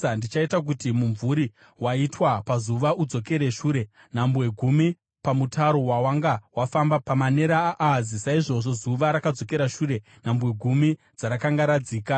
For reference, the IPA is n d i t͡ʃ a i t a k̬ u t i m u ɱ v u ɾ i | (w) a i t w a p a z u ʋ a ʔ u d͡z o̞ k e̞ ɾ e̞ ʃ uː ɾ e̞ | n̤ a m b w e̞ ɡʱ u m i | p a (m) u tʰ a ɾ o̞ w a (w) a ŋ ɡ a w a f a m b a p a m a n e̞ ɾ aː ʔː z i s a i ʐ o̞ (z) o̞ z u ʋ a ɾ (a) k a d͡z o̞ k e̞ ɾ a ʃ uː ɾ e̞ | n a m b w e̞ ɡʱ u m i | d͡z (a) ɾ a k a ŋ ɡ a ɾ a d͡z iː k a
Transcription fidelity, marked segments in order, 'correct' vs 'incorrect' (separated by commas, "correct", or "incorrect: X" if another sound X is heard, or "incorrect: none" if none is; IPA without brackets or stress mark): correct, correct, correct, incorrect: ʐ, correct, correct